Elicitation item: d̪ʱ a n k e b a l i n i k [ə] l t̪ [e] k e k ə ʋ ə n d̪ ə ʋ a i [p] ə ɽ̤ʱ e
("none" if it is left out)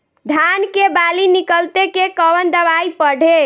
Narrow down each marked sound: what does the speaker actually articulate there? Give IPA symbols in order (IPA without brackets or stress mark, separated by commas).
ə, e, p